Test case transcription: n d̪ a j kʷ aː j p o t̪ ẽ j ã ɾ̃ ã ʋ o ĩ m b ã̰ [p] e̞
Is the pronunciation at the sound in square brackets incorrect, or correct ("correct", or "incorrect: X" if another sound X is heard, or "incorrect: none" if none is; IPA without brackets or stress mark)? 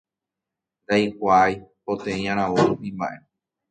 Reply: incorrect: ʔ